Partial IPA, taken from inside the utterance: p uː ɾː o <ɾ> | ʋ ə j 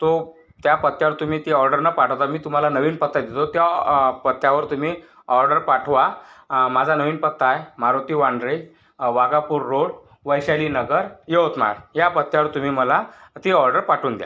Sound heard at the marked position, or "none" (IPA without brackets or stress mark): ɽ